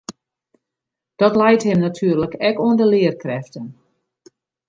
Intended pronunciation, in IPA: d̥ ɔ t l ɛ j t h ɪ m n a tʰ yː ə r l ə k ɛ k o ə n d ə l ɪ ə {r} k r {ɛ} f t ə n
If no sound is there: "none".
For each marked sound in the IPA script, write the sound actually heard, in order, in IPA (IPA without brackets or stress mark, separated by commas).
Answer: r, ɛ